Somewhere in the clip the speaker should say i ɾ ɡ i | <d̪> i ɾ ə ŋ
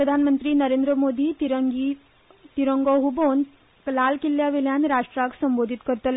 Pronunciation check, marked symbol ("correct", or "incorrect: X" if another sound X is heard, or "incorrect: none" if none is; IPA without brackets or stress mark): incorrect: t̪